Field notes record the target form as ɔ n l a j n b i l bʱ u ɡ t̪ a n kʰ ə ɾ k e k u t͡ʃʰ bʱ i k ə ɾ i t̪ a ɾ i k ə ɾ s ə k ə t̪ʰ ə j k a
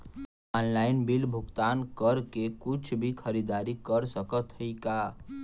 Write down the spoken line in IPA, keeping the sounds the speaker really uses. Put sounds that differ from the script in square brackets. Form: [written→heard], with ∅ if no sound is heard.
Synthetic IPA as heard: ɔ n l a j n b i l bʱ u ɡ t̪ a n [kʰ→k] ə ɾ k e k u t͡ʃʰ bʱ i [k→kʰ] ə ɾ i [t̪→d̪] a ɾ i k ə ɾ s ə k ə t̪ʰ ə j k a